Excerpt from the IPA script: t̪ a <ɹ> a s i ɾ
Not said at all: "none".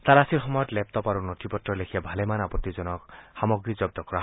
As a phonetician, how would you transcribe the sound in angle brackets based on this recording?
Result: ɾ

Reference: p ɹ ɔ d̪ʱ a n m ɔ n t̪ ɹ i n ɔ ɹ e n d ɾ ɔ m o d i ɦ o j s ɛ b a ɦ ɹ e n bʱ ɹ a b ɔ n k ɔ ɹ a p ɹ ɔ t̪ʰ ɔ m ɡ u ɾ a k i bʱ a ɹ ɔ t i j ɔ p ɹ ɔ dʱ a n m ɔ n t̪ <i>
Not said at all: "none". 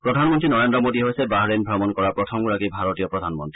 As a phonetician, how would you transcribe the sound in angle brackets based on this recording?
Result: i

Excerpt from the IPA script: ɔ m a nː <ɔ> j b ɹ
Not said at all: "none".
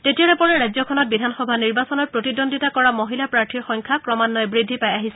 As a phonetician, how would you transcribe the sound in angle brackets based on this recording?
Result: ɔ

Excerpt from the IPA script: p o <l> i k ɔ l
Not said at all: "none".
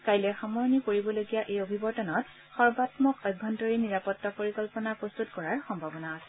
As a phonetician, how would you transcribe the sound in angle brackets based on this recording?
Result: ɹ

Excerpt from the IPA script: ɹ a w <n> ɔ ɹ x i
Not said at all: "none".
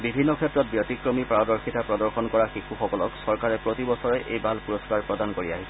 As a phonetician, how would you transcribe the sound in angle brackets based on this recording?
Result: d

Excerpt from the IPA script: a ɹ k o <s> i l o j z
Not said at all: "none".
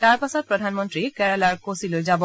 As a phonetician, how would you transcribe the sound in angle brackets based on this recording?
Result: s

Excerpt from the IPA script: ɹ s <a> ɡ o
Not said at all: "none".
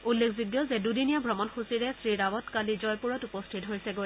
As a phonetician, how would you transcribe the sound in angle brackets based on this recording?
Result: ɛ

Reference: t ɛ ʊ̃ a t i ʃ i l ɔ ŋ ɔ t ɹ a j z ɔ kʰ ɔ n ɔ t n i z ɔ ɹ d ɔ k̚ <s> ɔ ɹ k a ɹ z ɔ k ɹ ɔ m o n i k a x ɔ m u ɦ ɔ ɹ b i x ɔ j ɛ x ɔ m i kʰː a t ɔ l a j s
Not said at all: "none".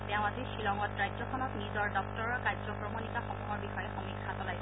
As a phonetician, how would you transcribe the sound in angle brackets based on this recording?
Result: t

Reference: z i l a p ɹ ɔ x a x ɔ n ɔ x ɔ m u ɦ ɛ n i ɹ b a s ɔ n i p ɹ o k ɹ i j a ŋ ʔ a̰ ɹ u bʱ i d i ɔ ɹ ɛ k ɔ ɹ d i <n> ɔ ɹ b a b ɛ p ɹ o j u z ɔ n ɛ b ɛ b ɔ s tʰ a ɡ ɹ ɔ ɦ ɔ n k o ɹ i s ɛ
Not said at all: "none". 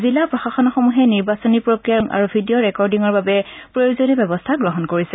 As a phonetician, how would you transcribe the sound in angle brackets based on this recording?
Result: ŋ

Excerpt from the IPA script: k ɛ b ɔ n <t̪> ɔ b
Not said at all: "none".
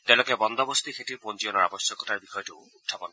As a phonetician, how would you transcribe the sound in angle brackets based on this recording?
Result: d̪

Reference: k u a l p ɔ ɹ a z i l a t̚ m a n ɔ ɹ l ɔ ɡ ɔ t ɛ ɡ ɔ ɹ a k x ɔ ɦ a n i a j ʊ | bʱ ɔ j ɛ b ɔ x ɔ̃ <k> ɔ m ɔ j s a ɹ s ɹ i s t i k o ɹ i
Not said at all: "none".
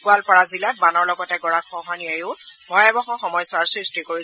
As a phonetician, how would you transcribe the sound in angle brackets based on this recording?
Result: x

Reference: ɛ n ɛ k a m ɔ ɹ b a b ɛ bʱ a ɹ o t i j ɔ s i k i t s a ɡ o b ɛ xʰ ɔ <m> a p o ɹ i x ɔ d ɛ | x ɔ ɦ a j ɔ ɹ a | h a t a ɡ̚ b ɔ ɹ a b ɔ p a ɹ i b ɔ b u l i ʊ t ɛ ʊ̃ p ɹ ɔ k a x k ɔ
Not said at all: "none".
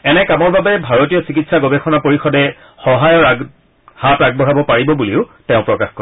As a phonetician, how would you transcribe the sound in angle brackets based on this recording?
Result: n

